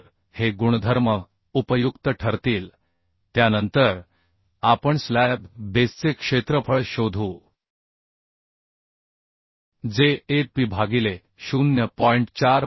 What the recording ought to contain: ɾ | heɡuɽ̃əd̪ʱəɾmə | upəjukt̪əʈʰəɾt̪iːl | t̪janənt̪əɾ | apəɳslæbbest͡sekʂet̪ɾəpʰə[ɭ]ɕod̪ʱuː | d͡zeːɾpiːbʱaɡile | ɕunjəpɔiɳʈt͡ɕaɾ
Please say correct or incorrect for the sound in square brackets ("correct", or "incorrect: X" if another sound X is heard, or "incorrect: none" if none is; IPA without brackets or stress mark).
correct